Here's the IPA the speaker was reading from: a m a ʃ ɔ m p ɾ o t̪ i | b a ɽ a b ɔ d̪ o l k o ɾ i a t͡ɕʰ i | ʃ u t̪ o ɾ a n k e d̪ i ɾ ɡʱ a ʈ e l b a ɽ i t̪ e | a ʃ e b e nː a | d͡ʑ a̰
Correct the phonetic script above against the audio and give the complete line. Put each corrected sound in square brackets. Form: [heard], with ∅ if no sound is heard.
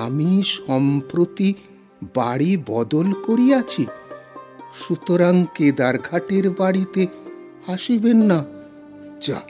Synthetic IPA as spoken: a m [i] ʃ ɔ m p ɾ o t̪ i | b a ɽ [i] b ɔ d̪ o l k o ɾ i a t͡ɕʰ i | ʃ u t̪ o ɾ a [ŋ] k e d̪ [a] ɾ ɡʱ a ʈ e [ɾ] b a ɽ i t̪ e | a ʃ [i] b e nː a | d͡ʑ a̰